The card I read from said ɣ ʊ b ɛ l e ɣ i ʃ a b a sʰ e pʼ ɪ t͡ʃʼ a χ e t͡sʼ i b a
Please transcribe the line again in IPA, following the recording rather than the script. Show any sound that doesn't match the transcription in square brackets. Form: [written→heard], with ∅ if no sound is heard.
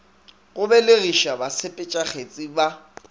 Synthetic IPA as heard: ɣ ʊ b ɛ l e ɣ i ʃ a b a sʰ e pʼ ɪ t͡ʃʼ a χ e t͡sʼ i b a